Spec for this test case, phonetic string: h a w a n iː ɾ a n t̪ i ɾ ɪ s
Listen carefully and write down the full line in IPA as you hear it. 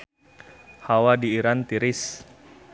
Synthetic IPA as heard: h a w a d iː ɾ a n t̪ i ɾ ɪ s